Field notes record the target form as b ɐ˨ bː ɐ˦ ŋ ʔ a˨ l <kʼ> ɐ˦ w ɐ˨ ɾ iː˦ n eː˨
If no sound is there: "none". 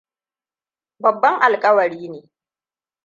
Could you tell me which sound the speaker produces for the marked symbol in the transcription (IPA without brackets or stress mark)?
kʼ